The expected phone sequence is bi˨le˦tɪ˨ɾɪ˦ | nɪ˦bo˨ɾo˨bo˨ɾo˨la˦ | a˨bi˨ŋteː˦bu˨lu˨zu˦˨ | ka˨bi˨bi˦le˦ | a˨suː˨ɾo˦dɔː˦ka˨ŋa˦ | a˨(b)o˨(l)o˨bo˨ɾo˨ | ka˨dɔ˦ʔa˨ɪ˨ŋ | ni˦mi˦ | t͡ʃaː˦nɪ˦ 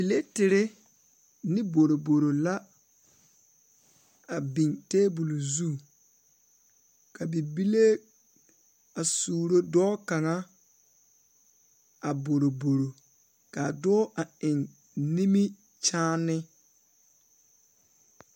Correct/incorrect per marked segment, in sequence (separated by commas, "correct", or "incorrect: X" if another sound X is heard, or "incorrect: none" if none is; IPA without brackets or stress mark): correct, incorrect: ɾ